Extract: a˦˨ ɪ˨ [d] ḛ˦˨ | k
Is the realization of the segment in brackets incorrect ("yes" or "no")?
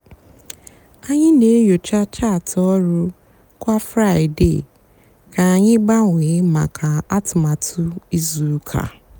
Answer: no